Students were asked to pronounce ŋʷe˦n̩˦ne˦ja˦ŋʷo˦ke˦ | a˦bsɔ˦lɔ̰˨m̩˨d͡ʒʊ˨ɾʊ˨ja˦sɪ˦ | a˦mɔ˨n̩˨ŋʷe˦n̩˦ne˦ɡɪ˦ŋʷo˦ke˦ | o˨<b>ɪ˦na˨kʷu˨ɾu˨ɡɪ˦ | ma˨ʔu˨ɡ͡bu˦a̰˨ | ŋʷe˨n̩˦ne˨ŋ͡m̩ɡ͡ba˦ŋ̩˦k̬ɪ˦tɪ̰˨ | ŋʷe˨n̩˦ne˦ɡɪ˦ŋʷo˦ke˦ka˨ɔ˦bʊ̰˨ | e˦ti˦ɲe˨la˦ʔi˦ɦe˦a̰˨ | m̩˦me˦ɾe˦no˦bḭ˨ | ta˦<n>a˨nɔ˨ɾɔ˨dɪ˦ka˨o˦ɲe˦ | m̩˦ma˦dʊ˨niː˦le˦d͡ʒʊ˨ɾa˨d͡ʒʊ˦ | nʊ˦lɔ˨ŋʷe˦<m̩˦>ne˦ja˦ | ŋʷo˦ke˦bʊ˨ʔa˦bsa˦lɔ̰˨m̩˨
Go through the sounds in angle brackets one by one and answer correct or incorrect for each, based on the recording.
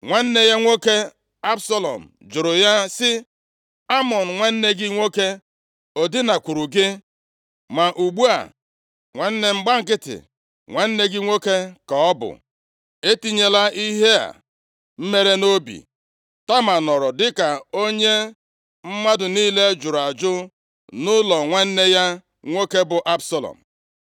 incorrect: d, incorrect: m, incorrect: n̩˦

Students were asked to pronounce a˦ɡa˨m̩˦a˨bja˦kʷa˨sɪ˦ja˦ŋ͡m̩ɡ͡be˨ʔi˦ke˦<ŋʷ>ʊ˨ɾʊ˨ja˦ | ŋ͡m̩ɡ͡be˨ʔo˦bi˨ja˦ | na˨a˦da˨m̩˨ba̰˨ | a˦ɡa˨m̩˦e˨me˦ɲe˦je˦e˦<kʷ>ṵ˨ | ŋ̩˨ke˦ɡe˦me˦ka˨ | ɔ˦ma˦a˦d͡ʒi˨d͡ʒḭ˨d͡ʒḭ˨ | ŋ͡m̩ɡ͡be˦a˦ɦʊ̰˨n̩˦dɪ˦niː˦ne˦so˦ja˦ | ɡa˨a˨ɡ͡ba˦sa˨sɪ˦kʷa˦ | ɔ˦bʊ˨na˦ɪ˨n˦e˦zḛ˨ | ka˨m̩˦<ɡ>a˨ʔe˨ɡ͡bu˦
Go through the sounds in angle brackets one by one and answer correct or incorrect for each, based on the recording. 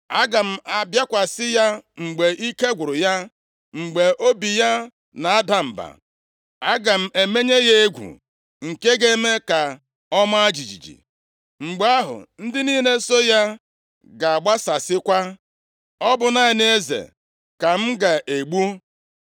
incorrect: ɡʷ, incorrect: ɡʷ, correct

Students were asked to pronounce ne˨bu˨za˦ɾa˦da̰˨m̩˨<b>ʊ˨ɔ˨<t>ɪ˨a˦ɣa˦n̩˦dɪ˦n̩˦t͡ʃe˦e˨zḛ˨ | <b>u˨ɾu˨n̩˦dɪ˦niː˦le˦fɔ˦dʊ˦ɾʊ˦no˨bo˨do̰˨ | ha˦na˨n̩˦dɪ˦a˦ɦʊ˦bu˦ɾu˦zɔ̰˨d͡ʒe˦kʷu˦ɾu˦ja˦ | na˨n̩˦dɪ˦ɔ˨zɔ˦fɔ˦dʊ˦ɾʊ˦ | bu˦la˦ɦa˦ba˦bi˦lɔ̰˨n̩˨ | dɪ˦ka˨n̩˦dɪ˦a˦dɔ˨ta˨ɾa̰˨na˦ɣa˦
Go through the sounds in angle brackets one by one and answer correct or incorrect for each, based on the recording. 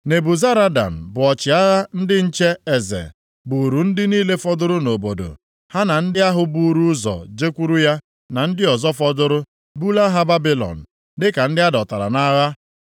correct, incorrect: t͡ʃ, correct

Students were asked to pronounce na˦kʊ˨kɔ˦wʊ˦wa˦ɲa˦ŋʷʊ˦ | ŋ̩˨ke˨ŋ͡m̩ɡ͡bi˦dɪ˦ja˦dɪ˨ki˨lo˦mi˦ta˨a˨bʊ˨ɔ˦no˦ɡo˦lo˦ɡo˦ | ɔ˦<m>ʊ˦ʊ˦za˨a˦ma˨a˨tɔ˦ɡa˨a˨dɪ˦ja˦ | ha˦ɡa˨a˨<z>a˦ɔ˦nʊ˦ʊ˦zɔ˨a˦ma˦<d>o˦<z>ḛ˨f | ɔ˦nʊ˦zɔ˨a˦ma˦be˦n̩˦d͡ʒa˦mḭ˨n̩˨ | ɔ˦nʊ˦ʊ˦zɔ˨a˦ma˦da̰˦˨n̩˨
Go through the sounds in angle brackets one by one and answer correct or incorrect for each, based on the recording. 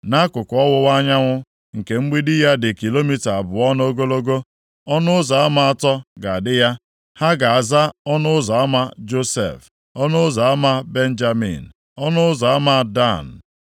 incorrect: n, correct, incorrect: d͡ʒ, incorrect: s

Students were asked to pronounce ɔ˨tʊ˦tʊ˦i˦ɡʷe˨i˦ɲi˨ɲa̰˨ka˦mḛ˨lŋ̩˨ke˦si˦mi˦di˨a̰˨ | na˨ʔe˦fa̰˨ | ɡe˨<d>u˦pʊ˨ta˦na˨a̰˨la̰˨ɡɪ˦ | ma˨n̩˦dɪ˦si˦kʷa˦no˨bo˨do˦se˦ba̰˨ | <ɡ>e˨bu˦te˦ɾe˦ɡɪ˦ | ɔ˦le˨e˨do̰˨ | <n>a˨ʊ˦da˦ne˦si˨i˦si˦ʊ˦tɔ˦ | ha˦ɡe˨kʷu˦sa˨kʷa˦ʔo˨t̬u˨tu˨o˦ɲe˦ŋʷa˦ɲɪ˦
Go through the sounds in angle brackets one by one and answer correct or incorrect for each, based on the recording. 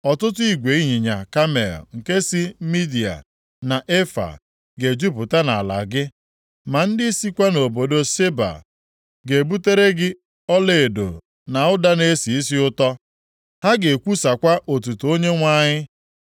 incorrect: d͡ʒ, correct, correct

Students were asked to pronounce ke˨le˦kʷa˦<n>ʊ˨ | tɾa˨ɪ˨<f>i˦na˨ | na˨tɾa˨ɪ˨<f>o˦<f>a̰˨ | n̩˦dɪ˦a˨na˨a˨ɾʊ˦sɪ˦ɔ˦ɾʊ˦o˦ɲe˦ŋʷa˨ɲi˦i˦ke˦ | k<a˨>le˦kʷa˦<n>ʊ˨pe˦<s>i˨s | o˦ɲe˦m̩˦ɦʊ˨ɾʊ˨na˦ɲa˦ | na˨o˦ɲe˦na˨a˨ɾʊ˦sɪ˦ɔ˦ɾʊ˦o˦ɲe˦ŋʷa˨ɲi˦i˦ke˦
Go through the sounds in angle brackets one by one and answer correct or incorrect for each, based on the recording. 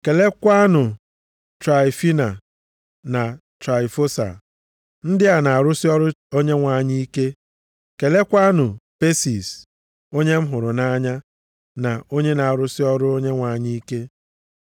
correct, correct, correct, incorrect: s, incorrect: e˨, correct, correct

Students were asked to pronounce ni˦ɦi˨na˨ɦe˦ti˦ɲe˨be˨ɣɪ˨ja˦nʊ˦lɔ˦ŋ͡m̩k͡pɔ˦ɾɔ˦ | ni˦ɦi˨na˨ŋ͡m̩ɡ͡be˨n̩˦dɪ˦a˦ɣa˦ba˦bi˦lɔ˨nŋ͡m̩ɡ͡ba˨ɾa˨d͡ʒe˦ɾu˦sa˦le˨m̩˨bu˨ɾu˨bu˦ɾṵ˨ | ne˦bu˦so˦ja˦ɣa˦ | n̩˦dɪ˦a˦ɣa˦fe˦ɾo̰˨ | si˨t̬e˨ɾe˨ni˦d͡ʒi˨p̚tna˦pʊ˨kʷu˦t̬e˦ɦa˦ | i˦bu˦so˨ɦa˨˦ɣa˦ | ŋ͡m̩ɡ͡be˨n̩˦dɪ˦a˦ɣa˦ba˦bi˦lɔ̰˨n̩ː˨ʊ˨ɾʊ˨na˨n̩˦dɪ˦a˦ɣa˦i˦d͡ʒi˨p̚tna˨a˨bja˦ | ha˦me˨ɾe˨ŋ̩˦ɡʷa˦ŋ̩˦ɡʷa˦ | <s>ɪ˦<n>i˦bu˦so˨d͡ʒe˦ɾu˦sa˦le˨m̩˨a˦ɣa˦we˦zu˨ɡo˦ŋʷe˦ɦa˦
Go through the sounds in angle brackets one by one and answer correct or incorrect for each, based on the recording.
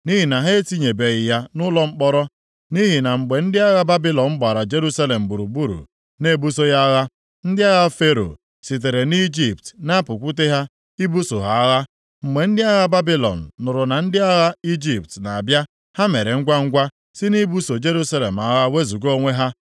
correct, correct

